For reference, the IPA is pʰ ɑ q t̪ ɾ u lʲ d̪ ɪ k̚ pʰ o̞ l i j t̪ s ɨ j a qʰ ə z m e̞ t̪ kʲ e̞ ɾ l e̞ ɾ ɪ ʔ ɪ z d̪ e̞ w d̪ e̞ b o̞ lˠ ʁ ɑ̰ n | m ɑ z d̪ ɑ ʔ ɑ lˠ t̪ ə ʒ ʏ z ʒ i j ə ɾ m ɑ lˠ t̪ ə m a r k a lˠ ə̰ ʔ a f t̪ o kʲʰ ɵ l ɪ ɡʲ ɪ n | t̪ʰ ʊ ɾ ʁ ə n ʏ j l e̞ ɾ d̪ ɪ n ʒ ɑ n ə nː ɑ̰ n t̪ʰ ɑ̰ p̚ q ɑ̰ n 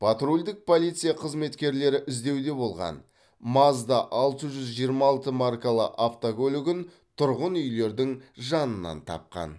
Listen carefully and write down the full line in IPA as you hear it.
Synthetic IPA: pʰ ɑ t̪ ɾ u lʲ d̪ ɪ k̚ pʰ o̞ l i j t̪ s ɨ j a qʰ ə z m e̞ t̪ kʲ e̞ ɾ l e̞ ɾ ɪ ʔ ɪ z d̪ e̞ w d̪ e̞ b o̞ lˠ ʁ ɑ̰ n | m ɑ z d̪ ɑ ʔ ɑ lˠ t̪ ə ʒ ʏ z ʒ i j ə ɾ m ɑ lˠ t̪ ə m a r k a lˠ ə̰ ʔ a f t̪ o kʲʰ ɵ l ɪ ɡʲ ɪ n | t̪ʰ ʊ ɾ ʁ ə n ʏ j l e̞ ɾ d̪ ɪ ŋ ʒ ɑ n ə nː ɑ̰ n t̪ʰ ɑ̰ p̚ q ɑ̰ n